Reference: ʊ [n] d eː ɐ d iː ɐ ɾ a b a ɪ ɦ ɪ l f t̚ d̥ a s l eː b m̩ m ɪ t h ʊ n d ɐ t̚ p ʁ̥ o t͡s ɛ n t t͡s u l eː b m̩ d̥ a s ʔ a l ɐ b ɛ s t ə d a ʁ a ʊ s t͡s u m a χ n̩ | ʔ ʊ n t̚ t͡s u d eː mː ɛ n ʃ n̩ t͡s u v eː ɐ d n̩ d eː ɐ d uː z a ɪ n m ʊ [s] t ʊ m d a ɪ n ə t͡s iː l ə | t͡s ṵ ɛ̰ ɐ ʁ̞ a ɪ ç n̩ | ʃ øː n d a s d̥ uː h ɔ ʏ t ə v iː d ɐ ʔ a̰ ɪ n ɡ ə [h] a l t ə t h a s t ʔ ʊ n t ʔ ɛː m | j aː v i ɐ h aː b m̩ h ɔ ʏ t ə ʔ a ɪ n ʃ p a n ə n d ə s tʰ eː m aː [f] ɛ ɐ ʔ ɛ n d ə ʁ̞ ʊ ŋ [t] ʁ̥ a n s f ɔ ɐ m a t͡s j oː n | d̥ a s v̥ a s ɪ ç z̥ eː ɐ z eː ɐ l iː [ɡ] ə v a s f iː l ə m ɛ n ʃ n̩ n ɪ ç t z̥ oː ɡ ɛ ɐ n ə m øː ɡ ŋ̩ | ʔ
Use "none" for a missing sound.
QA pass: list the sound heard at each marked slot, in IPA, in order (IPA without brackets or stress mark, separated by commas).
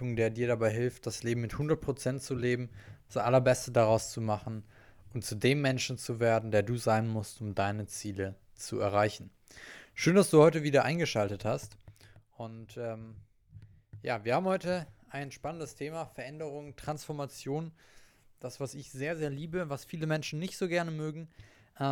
ŋ, s, ʃ, f, t, b